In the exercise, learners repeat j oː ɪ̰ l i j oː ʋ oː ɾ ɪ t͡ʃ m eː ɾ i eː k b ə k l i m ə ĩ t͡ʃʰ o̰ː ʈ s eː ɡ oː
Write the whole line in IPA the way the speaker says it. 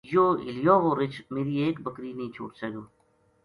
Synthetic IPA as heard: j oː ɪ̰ l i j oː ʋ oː ɾ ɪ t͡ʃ m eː ɾ i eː k b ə k ɾ i n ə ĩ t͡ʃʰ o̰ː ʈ s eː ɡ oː